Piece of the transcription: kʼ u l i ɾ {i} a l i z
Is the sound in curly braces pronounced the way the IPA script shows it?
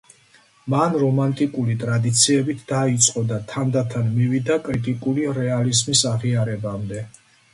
no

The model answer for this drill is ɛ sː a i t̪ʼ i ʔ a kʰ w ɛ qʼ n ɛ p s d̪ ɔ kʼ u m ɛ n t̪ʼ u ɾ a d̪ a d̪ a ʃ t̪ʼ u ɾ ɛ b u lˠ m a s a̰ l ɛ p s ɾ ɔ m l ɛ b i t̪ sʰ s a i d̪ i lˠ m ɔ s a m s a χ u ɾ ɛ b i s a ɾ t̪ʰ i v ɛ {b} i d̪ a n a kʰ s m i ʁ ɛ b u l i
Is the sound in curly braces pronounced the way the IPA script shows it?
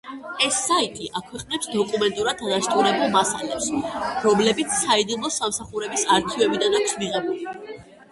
yes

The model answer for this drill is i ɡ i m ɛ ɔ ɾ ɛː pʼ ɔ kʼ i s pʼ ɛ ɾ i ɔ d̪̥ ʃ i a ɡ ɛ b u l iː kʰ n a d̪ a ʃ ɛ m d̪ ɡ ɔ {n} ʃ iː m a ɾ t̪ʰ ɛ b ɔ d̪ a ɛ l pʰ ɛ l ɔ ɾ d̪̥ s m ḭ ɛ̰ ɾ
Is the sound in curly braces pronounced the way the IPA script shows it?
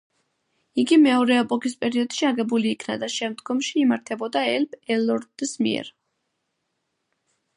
no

